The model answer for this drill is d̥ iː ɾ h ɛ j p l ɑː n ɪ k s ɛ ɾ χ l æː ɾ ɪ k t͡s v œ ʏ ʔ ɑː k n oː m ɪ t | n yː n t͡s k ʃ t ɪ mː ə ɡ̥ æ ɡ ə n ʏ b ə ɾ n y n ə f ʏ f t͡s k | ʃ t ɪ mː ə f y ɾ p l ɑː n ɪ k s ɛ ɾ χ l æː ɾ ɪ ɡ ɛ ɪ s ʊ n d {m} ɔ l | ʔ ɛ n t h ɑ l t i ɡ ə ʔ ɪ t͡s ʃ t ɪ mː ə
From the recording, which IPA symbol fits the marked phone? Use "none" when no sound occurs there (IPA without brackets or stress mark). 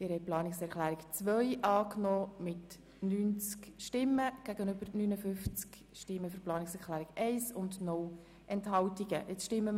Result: n